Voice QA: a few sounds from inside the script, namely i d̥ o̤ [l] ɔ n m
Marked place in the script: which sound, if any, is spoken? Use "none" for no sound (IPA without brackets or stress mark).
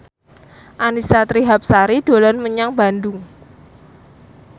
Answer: l